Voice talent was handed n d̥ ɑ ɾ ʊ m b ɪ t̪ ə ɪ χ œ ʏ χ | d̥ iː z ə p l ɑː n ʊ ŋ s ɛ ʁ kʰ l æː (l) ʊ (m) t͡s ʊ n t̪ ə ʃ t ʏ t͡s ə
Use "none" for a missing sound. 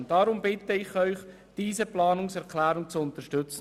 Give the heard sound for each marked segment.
ɾ, ŋ

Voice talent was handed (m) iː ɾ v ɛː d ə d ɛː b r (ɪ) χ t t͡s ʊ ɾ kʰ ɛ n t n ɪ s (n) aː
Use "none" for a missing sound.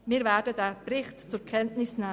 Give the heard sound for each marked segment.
m, ɪ, n

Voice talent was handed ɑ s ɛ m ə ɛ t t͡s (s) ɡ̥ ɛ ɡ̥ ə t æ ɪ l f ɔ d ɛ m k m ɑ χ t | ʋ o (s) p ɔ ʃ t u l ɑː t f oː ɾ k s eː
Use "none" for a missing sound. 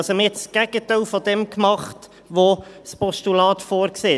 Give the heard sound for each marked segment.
s, s

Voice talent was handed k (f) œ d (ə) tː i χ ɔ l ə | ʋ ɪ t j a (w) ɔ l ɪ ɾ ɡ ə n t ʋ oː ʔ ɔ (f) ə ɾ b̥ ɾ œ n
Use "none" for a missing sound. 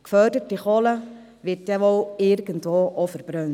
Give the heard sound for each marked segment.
f, ə, ʋ, f

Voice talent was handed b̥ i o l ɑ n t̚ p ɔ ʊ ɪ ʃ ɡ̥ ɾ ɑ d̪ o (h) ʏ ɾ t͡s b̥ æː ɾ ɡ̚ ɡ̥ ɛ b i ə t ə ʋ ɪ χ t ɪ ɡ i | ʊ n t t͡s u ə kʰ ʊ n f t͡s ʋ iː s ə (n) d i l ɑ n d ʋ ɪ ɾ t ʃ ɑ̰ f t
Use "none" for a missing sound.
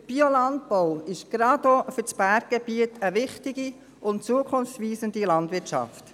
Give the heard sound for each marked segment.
f, n

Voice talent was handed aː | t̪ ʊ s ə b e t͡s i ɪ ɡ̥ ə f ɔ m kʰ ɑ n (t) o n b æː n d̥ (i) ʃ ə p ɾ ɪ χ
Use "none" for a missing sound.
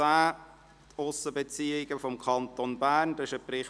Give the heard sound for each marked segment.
t, ɪ

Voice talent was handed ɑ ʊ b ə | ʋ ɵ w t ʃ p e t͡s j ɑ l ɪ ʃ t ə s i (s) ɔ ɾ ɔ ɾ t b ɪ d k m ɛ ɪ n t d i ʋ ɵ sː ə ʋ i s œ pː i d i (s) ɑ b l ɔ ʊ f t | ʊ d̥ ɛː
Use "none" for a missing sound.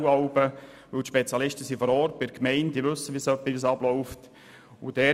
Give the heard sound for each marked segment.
f, s

